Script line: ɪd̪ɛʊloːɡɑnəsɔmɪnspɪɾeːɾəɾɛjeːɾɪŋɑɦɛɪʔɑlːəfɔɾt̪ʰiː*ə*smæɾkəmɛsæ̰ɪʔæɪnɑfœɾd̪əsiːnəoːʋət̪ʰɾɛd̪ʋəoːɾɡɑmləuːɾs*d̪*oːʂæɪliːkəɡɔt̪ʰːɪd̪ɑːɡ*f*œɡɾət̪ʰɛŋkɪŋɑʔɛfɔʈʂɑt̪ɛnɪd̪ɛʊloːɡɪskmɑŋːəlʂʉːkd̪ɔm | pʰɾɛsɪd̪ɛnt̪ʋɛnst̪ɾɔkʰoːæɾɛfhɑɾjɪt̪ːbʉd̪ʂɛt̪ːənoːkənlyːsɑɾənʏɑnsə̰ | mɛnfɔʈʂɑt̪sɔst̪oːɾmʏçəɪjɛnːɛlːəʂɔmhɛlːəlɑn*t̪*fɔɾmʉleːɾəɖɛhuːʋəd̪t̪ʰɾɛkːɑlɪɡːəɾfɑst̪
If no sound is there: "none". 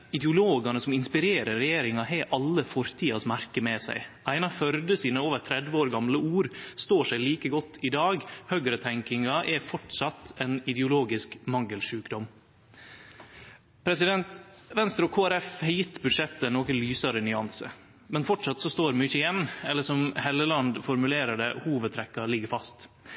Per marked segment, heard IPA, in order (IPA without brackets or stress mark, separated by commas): ɑ, t̪, h, d̪